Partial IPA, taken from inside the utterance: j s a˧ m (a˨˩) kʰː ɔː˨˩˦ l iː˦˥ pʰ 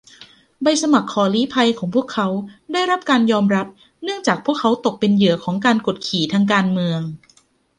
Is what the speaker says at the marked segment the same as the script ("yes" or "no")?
yes